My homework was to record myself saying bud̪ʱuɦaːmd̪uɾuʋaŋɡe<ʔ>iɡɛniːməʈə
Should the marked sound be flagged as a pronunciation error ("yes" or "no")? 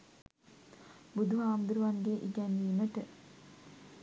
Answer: no